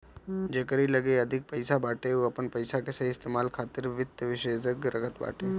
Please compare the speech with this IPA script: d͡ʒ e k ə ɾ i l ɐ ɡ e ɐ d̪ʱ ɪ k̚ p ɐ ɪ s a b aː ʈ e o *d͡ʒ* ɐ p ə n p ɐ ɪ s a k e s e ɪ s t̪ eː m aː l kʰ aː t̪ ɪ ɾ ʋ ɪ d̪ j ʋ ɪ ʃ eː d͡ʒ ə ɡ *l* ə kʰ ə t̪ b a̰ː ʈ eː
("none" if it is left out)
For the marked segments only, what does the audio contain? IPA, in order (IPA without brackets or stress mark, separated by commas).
none, ɾ